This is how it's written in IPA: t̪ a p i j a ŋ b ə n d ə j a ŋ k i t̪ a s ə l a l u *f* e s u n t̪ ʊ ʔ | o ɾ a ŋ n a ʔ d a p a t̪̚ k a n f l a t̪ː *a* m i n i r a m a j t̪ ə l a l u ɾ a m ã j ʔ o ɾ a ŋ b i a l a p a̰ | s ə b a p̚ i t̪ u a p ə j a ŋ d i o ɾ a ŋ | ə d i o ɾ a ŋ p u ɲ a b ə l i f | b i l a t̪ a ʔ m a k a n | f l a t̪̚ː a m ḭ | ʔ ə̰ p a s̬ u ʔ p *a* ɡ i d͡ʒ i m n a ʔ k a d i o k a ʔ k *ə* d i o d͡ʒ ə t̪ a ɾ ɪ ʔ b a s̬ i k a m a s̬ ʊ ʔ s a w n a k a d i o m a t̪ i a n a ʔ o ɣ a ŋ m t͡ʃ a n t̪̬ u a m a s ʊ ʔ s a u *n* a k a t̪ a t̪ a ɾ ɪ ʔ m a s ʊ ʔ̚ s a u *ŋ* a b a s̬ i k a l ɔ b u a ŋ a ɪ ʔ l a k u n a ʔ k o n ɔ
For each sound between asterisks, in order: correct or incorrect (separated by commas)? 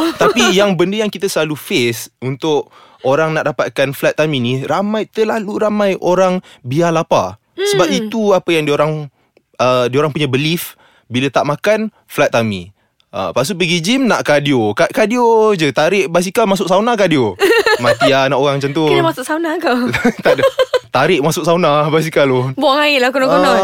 correct, correct, incorrect, incorrect, correct, incorrect